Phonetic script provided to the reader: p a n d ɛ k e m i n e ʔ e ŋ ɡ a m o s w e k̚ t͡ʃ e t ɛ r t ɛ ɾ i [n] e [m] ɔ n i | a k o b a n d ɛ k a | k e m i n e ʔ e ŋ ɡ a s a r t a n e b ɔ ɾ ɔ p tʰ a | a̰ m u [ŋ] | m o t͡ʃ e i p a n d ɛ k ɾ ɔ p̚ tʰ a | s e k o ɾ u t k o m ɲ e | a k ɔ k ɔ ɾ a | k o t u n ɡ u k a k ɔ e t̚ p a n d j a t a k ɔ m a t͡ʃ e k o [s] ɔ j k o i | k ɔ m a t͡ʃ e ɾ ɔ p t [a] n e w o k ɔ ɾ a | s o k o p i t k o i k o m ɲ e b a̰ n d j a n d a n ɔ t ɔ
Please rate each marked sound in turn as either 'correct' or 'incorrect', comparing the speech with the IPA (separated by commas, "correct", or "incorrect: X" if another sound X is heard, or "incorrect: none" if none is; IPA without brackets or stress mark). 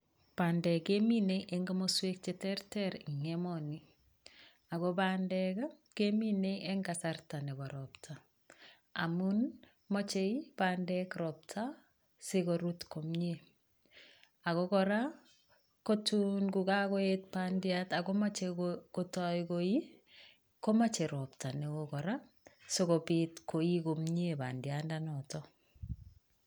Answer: incorrect: ŋ, correct, incorrect: n, incorrect: t, correct